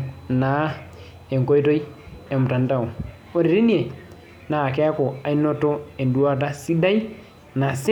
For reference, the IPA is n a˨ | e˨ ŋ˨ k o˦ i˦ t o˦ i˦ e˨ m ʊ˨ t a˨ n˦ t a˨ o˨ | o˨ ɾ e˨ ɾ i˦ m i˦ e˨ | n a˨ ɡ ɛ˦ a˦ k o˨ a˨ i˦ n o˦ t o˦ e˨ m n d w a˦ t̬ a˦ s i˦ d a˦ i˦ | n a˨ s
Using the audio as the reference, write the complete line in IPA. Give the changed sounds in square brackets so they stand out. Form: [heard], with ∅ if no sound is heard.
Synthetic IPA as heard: n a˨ | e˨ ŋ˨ k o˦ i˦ t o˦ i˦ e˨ m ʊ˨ t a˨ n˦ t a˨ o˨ | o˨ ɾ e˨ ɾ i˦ [n] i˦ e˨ | n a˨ [k] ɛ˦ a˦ k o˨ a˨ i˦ n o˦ t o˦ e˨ [∅] n d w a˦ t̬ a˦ s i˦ d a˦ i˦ | n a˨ s